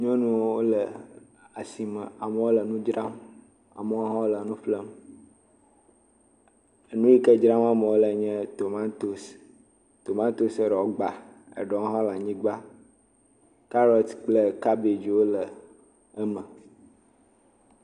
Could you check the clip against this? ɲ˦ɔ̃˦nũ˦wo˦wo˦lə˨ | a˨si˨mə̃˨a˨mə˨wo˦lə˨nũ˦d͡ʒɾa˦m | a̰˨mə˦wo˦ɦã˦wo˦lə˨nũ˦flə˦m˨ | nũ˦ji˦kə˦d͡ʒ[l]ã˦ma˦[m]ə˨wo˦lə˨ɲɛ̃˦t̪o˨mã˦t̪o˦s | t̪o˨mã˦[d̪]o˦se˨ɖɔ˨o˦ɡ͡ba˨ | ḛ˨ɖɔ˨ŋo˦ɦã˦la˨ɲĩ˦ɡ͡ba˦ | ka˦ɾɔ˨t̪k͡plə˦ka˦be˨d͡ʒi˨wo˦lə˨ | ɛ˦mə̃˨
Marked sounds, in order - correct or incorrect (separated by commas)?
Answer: incorrect, correct, incorrect